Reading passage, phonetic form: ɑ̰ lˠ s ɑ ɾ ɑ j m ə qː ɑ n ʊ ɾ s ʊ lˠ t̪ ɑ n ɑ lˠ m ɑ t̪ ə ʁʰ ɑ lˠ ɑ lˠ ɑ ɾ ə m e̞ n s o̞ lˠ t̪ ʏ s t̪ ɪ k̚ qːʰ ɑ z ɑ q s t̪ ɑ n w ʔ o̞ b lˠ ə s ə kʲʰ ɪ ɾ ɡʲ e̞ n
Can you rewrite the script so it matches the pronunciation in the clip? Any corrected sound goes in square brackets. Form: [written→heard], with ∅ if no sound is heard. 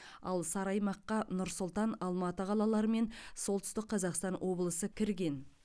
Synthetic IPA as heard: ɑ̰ lˠ s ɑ ɾ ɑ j m [ə→ɑ] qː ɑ n ʊ ɾ s ʊ lˠ t̪ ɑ n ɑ lˠ m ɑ t̪ ə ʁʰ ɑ lˠ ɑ lˠ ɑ ɾ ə m e̞ n s o̞ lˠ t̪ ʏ s t̪ ɪ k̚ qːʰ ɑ z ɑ q s t̪ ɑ n w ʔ o̞ b lˠ ə s ə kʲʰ ɪ ɾ ɡʲ e̞ n